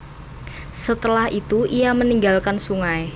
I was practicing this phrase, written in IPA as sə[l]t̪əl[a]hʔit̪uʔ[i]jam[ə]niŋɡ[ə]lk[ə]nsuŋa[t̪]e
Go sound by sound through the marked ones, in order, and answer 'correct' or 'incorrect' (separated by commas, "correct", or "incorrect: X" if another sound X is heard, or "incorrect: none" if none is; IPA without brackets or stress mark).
incorrect: none, correct, correct, correct, incorrect: a, incorrect: a, incorrect: none